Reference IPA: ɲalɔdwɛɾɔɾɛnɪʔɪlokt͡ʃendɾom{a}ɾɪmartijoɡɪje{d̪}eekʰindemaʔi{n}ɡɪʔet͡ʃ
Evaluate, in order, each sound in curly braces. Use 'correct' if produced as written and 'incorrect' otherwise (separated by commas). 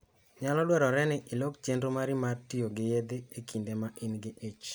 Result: correct, correct, correct